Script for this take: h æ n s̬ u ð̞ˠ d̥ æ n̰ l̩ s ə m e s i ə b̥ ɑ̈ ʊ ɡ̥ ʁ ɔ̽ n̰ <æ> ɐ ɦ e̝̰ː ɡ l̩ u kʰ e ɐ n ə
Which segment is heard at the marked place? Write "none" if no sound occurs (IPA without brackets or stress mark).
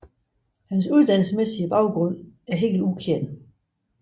æ